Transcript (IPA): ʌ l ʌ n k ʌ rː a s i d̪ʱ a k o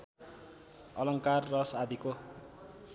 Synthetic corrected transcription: ʌ l ʌ ŋ k a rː ʌ s a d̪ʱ i k o